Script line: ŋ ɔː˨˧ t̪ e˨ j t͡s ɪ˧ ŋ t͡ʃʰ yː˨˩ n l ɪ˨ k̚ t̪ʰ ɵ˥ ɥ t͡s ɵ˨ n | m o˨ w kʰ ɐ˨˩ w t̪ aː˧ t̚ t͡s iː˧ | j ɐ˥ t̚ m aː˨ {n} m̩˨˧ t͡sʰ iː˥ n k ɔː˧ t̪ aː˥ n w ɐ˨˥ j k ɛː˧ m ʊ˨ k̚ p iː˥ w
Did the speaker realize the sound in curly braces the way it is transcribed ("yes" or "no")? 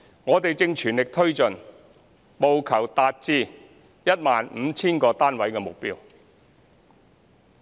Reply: yes